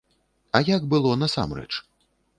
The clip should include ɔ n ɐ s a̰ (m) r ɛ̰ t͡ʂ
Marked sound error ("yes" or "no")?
no